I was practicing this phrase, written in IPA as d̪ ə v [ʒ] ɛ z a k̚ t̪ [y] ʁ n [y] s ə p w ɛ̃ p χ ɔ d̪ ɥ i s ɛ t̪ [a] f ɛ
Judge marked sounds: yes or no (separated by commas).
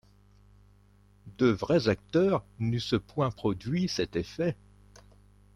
no, no, yes, no